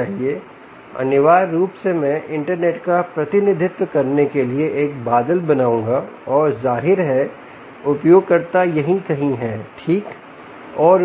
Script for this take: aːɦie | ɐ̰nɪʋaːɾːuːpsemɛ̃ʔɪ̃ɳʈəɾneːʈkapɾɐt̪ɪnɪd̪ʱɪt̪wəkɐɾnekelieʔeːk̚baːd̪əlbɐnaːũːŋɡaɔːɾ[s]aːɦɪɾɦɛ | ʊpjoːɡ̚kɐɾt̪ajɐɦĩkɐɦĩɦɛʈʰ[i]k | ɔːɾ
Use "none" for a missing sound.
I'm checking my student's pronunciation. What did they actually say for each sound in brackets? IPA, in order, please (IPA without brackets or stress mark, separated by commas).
z, iː